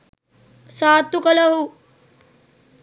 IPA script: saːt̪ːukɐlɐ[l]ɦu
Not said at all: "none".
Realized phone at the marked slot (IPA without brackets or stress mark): none